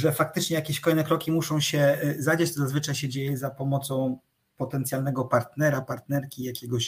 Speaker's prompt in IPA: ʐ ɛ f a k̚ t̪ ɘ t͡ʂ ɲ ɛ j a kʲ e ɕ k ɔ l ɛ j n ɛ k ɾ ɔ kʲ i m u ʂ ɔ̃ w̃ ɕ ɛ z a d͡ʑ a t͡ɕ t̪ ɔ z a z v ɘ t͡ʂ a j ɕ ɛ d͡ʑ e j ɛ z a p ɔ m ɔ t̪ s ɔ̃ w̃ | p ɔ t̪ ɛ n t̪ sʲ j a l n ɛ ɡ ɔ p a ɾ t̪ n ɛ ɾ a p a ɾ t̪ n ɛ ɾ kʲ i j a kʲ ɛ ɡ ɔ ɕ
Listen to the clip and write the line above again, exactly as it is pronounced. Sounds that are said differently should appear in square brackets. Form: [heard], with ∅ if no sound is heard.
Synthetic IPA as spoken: ʐ ɛ f a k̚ t̪ ɘ t͡ʂ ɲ ɛ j a kʲ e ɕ k ɔ l ɛ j n ɛ k ɾ ɔ kʲ i m u ʂ ɔ̃ w̃ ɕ ɛ z a d͡ʑ a t͡ɕ t̪ ɔ z a z v ɘ t͡ʂ a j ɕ ɛ d͡ʑ e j ɛ z a p ɔ m ɔ t̪ s ɔ̃ w̃ | p ɔ t̪ ɛ n t̪ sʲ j a l n ɛ ɡ ɔ p a ɾ t̪ n ɛ ɾ a p a ɾ t̪ n ɛ ɾ kʲ i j a kʲ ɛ ɡ ɔ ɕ